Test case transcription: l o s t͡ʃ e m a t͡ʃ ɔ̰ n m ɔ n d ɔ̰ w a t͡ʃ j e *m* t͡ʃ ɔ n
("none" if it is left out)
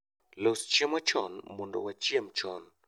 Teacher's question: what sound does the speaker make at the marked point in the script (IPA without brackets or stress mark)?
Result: m